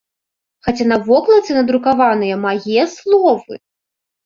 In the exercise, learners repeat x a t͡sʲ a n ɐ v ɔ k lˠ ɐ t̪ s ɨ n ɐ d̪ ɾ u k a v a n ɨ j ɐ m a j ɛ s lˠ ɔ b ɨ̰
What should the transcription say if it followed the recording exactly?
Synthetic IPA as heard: x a t͡sʲ a n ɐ v ɔ k lˠ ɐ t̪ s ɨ n ɐ d̪ ɾ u k a v a n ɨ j ɐ m a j ɛ s lˠ ɔ v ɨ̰